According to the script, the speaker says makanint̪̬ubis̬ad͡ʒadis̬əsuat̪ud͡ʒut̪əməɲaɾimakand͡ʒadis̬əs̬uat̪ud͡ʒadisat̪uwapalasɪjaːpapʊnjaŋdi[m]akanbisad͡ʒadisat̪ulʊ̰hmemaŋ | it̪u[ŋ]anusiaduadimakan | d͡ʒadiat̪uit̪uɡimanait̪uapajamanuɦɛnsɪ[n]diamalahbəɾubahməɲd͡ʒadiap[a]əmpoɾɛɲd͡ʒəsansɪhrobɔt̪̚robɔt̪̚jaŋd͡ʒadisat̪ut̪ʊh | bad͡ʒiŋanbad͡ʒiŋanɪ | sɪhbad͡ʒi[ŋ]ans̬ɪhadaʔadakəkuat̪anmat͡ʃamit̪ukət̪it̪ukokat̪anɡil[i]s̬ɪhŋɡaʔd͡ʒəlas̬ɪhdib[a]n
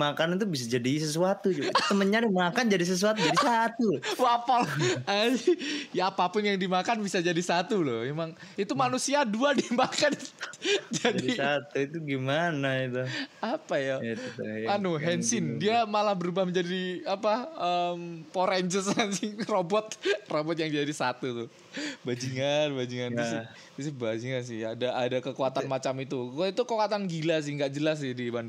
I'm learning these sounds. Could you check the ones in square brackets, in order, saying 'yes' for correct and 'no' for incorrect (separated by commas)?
yes, no, yes, yes, yes, no, yes